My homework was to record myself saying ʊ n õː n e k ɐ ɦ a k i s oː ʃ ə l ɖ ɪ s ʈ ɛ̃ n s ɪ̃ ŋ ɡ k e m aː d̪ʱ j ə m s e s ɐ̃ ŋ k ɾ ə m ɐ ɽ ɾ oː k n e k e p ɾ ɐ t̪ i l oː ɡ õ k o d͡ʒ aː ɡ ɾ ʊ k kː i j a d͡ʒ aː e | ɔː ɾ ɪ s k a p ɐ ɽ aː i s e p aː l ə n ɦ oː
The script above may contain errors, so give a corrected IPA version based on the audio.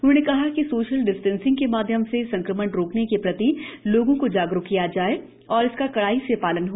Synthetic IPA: ʊ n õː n e k ɐ ɦ a k i s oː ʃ ə l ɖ ɪ s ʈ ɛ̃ n s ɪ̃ ŋ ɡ k e m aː d̪ʱ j ə m s e s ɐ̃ ŋ k ɾ ə m ə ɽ ɾ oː k n e k e p ɾ ɐ t̪ i l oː ɡ õ k o d͡ʒ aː ɡ ɾ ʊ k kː i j a d͡ʒ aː e | ɔː ɾ ɪ s k a k ɐ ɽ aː i s e p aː l ə n ɦ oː